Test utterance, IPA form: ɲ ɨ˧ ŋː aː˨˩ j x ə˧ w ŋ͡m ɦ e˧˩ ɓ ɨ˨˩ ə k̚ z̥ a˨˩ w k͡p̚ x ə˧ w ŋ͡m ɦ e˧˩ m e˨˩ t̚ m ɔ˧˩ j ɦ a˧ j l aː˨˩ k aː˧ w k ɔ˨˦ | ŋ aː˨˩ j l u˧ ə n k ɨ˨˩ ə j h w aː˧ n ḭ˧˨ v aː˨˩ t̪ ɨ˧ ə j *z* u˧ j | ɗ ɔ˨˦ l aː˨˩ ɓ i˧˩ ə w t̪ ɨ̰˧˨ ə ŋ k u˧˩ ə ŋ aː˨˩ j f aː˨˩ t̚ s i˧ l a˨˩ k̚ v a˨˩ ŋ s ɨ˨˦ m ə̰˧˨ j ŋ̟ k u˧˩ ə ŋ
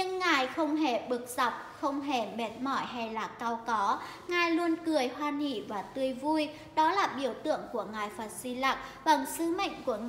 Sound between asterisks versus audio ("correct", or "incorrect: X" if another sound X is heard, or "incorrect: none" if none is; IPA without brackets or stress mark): incorrect: v